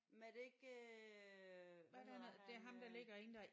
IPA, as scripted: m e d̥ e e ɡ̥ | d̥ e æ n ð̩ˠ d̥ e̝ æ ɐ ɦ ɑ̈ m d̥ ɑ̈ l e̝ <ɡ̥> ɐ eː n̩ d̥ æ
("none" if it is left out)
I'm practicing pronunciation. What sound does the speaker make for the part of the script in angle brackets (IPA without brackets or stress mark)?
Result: ɡ̥